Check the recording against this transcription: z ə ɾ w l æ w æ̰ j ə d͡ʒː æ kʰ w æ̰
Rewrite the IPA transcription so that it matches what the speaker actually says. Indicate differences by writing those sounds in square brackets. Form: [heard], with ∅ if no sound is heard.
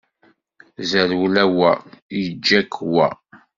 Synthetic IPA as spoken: z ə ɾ w l æ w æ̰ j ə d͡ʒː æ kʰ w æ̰

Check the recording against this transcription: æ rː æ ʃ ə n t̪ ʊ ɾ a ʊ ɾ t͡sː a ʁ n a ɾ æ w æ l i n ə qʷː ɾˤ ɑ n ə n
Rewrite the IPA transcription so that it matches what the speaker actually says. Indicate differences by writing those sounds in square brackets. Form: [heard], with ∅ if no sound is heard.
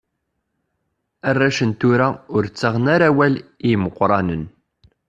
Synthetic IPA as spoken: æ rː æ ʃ ə n t̪ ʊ ɾ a ʊ ɾ t͡sː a ʁ n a ɾ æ w æ l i [m] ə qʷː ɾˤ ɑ n ə n

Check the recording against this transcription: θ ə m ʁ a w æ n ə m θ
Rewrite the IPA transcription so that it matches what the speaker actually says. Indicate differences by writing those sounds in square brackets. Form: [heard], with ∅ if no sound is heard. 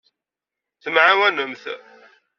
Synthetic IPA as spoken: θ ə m [ʕ] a w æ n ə m θ

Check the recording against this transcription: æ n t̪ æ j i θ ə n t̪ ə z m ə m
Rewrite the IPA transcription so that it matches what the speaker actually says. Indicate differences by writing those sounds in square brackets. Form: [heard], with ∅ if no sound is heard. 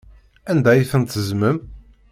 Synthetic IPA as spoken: æ n [d̪] æ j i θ ə n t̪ ə z m ə m

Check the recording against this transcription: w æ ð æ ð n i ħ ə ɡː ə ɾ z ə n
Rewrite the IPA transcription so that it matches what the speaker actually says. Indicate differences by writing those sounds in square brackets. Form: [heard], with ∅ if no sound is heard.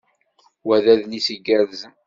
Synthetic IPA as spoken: w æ ð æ ð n i [s] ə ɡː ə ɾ z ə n

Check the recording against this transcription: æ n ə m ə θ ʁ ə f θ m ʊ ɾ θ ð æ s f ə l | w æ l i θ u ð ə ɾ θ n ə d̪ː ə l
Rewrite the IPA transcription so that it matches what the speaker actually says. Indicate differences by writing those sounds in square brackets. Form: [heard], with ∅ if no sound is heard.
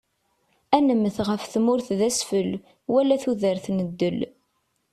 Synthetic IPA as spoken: æ n ə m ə θ ʁ ə f θ m ʊ ɾ θ ð æ s f ə l | w æ l [æ] θ u ð ə ɾ θ n ə d̪ː ə l

